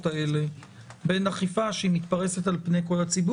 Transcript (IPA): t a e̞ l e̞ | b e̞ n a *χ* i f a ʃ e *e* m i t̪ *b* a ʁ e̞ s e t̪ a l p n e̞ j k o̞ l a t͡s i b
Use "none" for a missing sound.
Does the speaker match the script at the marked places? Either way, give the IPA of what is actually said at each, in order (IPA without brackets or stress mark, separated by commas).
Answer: χ, i, p